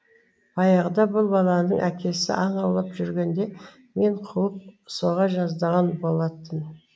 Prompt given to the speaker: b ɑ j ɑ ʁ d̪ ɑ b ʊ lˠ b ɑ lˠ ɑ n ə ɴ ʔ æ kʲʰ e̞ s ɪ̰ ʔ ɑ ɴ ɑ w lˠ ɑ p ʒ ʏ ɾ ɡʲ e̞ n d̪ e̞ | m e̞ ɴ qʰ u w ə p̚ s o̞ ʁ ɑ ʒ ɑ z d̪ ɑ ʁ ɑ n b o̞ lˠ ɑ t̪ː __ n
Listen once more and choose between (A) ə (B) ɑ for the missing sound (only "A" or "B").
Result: A